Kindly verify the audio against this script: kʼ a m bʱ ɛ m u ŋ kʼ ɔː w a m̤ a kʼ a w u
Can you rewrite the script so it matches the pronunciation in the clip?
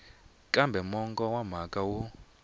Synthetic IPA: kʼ a m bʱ ɛ m ɔ ŋ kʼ ɔ w a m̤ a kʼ a w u